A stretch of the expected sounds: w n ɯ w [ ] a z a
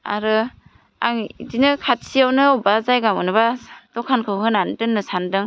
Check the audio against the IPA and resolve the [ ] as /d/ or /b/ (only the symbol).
b